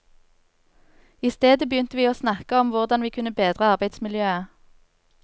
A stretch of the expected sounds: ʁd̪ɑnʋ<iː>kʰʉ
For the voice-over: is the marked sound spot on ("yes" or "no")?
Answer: yes